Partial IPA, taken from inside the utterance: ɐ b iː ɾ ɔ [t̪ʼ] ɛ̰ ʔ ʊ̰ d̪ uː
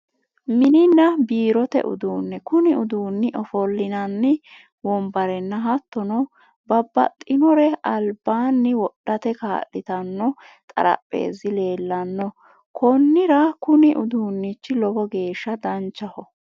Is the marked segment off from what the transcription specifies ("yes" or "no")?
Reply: yes